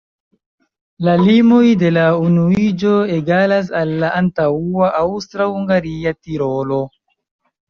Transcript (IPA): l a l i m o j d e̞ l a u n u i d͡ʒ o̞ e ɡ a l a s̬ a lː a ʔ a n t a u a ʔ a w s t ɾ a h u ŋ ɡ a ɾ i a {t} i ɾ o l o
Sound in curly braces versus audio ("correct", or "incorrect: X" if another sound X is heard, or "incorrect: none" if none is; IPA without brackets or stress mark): correct